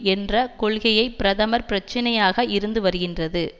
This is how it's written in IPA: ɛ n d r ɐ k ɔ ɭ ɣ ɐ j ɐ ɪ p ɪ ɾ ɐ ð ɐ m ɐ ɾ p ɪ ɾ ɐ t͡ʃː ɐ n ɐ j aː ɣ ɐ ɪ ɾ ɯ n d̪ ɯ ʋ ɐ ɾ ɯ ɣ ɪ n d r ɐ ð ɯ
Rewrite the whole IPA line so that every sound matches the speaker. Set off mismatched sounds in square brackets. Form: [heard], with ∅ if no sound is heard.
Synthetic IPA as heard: ɛ n d r ɐ k ɔ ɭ ɣ ɐ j ɐ ɪ p ɪ ɾ ɐ ð ɐ m ɐ ɾ p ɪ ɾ ɐ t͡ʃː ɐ n ɐ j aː ɣ ɐ ɪ ɾ ɯ n d̪ ɯ ʋ ɐ ɾ ɯ ɣ ɪ n d r ɐ ð ɯ